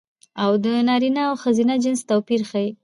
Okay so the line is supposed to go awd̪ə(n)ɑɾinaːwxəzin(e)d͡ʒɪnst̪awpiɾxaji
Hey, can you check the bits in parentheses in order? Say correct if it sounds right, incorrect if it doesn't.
correct, incorrect

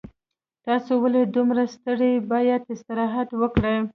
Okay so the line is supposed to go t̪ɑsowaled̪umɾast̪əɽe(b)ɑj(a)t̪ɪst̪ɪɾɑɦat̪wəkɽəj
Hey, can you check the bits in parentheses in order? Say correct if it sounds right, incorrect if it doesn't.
correct, correct

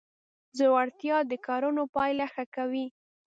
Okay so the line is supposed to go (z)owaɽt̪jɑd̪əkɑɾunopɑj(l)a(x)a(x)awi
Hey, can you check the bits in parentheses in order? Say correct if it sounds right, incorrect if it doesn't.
correct, correct, correct, incorrect

